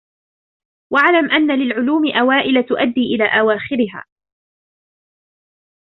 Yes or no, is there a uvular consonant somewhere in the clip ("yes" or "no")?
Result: no